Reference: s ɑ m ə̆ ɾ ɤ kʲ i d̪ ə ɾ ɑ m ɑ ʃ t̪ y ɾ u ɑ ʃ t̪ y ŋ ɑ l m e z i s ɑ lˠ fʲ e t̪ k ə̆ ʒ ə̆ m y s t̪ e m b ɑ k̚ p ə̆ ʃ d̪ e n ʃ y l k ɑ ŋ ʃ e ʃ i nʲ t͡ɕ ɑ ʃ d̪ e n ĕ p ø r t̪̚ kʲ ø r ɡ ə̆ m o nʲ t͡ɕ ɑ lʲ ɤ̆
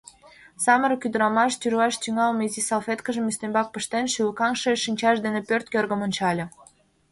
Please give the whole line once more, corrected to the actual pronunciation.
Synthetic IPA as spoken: s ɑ m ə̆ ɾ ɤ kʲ y d̪ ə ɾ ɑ m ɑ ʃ t̪ y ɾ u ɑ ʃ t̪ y ŋ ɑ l m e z i s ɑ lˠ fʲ e t̪ k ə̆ ʒ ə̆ m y s t̪ e m b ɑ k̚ p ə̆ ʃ t̪ e n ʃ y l k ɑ ŋ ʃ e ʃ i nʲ t͡ɕ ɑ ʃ d̪ e n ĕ p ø r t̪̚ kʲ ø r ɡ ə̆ m o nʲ t͡ɕ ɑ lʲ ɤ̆